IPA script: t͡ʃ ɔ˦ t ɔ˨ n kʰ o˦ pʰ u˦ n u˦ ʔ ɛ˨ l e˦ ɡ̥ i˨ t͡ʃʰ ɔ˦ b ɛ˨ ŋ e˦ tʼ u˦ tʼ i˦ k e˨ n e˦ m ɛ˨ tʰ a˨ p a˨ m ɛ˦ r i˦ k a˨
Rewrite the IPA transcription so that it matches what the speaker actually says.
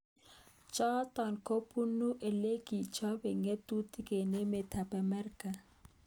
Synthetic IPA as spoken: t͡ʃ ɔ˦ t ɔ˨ n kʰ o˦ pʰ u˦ n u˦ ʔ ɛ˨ l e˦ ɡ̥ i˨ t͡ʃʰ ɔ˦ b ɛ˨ ŋ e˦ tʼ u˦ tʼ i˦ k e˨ n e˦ m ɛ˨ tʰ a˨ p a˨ m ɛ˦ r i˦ k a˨

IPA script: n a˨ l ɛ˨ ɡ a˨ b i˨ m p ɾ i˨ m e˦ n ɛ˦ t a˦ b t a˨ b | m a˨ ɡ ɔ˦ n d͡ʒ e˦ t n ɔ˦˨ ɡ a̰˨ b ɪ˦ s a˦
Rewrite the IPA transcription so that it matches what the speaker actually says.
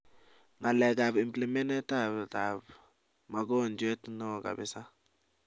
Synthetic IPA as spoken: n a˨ l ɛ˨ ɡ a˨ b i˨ m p l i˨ m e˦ n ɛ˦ t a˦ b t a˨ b | m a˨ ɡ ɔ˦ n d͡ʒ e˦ t n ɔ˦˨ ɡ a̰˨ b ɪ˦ s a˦

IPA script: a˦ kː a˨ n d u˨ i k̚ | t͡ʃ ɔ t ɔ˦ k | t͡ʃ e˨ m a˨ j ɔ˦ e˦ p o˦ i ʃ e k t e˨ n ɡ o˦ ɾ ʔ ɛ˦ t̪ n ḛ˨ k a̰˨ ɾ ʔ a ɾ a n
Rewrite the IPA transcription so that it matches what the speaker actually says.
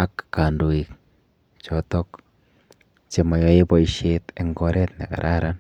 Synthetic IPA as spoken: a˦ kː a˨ n d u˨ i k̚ | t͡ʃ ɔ t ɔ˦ k | t͡ʃ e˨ m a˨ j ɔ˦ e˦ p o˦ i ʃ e t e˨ ŋ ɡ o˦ ɾ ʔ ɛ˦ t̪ n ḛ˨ k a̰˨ ɾ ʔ a ɾ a n

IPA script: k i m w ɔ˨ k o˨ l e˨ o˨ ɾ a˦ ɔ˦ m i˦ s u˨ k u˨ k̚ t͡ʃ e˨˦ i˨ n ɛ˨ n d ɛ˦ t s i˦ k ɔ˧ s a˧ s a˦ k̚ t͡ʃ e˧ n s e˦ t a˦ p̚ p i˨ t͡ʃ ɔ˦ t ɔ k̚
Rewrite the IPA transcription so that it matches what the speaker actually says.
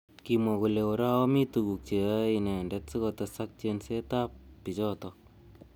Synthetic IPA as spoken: k i m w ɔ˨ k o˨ l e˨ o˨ ɾ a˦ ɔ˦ m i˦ t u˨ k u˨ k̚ t͡ʃ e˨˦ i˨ n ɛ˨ n d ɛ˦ t s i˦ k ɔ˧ t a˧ s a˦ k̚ t͡ʃ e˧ n s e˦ t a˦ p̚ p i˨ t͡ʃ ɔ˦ t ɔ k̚

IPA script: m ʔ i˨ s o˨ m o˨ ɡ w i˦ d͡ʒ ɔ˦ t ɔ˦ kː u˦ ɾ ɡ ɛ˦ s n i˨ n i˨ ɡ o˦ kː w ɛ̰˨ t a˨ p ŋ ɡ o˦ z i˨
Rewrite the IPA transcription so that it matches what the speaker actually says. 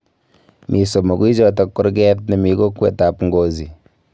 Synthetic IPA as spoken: m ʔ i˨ s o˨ m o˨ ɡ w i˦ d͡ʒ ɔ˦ t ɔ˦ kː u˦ ɾ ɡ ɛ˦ t n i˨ m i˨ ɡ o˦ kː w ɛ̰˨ t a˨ p ŋ ɡ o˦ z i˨

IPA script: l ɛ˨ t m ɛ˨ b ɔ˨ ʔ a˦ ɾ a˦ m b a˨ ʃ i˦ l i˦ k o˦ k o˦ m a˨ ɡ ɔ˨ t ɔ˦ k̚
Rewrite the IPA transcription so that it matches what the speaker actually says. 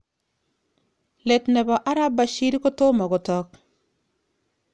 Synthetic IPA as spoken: l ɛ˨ t n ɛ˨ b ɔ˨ ʔ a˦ ɾ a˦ b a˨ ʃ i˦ ɾ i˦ k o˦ t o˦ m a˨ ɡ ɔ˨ t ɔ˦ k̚

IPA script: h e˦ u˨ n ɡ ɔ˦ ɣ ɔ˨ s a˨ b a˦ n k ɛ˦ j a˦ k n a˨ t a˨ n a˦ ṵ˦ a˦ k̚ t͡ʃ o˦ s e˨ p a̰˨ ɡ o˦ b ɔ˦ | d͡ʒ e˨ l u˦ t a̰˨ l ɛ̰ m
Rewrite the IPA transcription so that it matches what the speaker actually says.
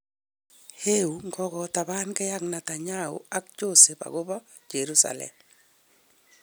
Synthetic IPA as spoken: h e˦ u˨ ŋ ɡ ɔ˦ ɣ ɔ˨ t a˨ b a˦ n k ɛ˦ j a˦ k n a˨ t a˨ ɲ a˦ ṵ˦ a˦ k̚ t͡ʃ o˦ s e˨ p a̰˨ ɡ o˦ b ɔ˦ | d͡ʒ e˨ ɾ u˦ s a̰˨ l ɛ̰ m

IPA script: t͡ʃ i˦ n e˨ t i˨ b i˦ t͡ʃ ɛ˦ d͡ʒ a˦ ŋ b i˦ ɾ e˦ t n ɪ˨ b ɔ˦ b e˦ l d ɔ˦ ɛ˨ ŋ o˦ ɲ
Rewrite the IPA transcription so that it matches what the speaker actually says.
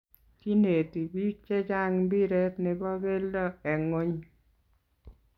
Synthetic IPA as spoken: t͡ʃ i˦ n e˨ t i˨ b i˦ t͡ʃ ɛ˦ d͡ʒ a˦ ŋ b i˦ ɾ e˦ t n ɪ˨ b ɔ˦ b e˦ l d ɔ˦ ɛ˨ ŋ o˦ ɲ

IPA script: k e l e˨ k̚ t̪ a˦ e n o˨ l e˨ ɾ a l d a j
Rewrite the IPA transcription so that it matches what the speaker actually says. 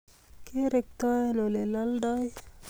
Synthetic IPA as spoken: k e ɾ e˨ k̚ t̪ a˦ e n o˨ l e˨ l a l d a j

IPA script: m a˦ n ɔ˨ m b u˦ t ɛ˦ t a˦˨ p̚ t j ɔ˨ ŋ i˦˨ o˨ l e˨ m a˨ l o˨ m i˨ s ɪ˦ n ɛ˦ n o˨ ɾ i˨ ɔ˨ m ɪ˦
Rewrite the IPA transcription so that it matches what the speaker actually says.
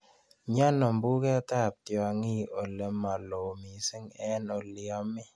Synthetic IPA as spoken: ɲ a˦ n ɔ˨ m b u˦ k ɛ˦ t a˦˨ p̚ t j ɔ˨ ŋ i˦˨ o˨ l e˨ m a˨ l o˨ m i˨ s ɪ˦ ŋ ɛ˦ n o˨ l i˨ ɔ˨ m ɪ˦

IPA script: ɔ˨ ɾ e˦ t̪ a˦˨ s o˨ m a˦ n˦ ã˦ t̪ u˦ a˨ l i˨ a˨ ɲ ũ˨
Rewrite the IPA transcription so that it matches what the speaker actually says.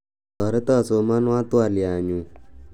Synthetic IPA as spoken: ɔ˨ ɾ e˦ t̪ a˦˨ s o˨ m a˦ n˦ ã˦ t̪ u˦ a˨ l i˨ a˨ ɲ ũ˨

